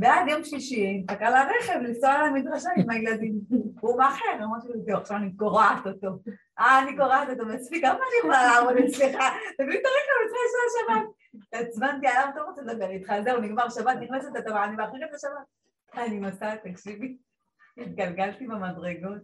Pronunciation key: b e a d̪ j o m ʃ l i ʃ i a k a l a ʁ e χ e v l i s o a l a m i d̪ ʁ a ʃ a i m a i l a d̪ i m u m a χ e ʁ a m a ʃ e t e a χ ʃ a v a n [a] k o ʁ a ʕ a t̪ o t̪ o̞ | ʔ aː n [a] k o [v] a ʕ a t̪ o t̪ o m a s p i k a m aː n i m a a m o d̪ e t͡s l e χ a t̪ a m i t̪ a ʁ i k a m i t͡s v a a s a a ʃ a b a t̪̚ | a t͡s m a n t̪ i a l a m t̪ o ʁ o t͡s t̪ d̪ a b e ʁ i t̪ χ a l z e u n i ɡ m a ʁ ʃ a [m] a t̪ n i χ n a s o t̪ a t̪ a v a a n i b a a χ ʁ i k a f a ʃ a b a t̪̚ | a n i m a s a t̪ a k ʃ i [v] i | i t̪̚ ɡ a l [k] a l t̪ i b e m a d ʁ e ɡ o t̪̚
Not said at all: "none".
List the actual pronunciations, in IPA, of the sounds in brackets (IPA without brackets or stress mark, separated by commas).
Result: i, i, ʁ, b, v, ɡ